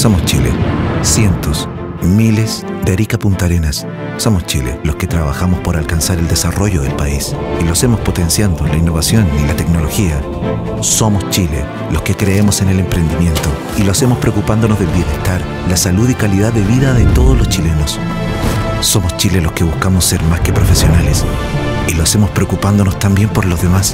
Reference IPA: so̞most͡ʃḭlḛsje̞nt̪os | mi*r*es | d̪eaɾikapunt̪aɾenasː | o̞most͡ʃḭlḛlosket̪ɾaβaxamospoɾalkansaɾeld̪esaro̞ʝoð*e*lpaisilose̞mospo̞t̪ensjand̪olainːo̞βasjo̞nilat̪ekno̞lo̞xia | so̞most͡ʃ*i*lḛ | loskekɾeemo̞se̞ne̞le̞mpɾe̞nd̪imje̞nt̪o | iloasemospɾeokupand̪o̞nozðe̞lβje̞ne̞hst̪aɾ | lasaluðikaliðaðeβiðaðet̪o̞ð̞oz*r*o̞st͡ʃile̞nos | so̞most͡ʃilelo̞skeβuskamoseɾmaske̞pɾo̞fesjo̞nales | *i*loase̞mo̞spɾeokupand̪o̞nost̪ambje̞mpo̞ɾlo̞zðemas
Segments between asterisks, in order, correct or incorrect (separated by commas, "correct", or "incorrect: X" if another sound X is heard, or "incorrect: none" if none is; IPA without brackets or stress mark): incorrect: l, correct, correct, incorrect: l, correct